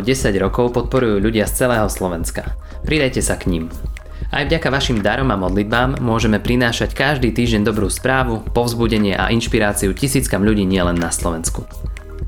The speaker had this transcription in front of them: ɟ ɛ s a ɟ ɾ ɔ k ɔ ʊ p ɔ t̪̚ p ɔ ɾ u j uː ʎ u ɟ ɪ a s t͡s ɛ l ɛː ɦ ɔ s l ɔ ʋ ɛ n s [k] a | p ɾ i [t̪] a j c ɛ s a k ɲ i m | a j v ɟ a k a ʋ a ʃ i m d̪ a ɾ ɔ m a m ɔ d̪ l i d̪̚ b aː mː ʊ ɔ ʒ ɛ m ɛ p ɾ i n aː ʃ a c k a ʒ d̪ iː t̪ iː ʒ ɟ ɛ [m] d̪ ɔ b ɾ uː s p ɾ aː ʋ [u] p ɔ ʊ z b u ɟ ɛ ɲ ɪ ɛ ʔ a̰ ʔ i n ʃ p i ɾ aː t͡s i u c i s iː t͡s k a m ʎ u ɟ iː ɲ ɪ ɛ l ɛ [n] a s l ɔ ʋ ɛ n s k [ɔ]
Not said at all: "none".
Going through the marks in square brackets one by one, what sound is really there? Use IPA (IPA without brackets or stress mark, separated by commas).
k, d̪, n, u, nː, u